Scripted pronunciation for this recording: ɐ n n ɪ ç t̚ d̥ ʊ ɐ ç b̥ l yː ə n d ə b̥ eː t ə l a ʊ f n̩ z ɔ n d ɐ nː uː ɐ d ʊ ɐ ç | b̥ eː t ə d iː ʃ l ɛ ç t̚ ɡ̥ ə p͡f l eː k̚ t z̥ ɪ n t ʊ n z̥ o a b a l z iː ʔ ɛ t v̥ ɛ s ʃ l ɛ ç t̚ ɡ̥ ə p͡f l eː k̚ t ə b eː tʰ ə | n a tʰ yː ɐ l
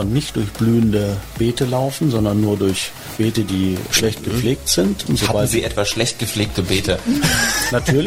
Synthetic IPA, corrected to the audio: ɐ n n ɪ ç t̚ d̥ ʊ ɐ ç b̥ l yː ə n d ə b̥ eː t ə l a ʊ f n̩ z ɔ n d ɐ nː uː ɐ d ʊ ɐ ç | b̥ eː t ə d iː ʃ l ɛ ç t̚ ɡ̥ ə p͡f l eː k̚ t z̥ ɪ n t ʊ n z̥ o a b a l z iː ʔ ɛ t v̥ a s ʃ l ɛ ç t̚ ɡ̥ ə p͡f l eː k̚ t ə b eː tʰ ə | n a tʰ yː ɐ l